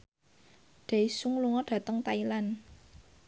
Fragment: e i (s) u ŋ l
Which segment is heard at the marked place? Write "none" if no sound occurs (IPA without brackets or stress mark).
s